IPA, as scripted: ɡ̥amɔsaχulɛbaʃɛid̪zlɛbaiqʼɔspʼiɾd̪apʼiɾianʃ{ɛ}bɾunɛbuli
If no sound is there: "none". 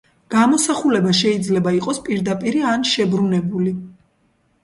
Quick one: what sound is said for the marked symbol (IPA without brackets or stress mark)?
ɛ